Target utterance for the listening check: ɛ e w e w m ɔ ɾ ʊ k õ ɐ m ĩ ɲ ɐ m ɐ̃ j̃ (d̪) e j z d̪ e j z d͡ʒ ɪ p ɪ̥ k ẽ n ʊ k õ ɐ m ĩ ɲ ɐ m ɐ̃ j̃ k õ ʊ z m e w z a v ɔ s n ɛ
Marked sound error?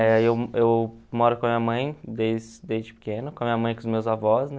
no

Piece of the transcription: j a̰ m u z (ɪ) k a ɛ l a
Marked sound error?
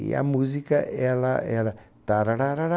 yes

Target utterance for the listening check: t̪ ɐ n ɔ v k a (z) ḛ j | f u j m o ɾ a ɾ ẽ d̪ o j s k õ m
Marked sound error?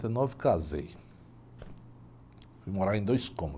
no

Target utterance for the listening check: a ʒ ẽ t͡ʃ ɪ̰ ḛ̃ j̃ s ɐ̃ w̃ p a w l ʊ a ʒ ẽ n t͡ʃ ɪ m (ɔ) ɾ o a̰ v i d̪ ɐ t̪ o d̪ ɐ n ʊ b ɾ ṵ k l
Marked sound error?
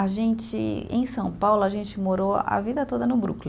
yes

